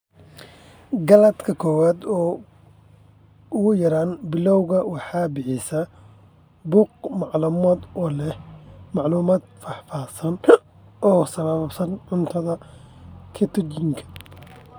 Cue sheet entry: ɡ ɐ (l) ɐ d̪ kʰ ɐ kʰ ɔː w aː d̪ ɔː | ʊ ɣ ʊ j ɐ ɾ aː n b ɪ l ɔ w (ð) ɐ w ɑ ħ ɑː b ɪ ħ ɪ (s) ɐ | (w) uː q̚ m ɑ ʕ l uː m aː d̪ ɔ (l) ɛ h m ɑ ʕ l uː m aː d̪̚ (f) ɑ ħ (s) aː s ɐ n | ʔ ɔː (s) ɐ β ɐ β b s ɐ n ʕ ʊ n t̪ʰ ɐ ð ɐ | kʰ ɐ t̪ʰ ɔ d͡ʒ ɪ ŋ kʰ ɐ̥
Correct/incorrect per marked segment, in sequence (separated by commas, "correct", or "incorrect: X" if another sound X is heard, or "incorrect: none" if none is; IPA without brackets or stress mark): correct, incorrect: ɣ, correct, incorrect: b, correct, correct, incorrect: f, correct